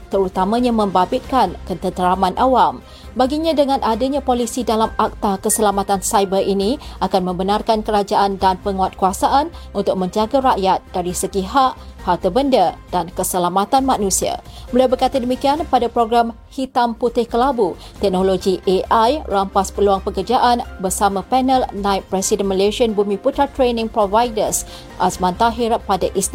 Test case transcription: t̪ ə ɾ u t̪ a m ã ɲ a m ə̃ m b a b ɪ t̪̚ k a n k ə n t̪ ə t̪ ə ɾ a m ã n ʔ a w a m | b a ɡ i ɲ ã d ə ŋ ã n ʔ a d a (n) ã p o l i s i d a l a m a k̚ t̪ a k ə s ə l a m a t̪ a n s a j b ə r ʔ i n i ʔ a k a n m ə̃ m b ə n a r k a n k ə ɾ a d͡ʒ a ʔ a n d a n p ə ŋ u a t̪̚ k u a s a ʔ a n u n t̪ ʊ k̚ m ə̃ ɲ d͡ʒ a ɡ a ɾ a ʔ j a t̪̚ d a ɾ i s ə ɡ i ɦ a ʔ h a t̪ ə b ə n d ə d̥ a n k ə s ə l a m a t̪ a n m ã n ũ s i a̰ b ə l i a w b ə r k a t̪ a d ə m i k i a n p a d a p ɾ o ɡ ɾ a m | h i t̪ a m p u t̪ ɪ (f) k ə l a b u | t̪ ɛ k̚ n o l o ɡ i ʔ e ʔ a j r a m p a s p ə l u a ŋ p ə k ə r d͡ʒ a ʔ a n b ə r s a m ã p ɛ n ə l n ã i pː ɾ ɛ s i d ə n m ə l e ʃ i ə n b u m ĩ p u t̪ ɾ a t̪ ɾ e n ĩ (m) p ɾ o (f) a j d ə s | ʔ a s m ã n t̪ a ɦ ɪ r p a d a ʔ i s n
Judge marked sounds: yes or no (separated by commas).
no, no, no, no